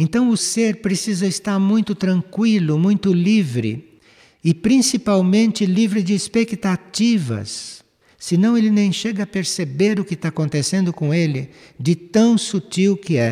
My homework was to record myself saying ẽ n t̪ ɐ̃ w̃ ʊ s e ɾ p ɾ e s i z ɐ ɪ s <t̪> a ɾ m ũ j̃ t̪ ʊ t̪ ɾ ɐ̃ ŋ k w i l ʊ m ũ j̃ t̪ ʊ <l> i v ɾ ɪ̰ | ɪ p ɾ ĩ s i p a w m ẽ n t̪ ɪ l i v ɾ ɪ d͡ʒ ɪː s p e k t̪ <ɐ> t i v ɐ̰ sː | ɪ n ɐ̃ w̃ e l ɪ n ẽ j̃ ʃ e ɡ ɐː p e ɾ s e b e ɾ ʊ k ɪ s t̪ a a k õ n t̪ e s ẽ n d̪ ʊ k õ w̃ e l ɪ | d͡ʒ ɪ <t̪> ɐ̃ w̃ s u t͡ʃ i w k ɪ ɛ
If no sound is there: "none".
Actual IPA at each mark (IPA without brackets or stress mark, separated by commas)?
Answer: t̪, l, a, t̪